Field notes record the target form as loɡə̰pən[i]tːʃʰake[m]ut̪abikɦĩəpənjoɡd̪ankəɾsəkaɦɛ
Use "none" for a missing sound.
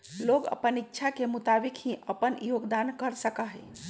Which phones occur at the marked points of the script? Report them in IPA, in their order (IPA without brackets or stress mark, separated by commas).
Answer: i, m